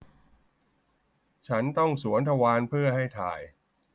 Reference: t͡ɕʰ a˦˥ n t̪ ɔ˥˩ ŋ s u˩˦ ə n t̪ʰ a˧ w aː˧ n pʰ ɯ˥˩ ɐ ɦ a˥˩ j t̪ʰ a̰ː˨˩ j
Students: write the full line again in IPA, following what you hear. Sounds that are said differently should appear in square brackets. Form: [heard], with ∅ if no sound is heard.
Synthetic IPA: t͡ɕʰ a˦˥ n t̪ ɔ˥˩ ŋ s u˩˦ ə n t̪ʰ a˧ w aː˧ n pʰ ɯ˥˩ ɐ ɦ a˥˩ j t̪ʰ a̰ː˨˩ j